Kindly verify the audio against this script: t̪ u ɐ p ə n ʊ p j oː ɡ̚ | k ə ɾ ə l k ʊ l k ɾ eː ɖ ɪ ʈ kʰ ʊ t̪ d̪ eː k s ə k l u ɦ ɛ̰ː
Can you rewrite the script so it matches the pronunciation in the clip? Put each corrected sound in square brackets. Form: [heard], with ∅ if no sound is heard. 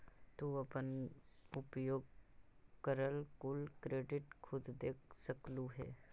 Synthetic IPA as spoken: t̪ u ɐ p ə n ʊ p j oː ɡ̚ | k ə ɾ ə l k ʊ l k ɾ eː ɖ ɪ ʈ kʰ ʊ [d̪] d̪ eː k s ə k l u ɦ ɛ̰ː